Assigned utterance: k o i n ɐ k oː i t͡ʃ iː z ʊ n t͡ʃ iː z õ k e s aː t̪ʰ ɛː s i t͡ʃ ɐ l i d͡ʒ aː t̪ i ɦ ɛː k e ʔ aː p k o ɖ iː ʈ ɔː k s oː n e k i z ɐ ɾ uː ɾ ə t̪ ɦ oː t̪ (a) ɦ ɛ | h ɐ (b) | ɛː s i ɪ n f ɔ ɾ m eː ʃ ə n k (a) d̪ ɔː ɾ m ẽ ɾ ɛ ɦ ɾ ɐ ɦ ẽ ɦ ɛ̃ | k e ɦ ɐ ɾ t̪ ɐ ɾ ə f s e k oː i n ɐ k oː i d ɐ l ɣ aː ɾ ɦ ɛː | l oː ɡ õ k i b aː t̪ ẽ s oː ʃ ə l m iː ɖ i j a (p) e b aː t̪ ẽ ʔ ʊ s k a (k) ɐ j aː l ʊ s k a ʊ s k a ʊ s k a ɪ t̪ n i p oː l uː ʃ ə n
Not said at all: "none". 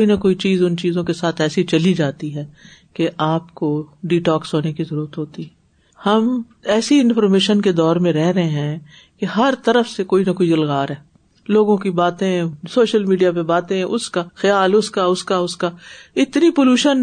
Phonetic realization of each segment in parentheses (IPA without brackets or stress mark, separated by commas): i, m, e, p, x